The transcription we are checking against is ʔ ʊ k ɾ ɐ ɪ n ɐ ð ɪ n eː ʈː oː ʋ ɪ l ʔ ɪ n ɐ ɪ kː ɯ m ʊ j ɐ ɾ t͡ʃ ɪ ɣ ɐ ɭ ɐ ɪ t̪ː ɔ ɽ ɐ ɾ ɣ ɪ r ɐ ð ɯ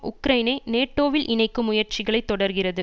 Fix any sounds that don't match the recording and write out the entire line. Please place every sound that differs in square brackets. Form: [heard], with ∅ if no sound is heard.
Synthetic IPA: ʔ ʊ k ɾ ɐ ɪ n ɐ [∅] ɪ n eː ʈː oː ʋ ɪ l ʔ ɪ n ɐ ɪ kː ɯ m ʊ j ɐ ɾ t͡ʃ ɪ ɣ ɐ ɭ ɐ ɪ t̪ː ɔ ɽ ɐ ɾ ɣ ɪ r ɐ ð ɯ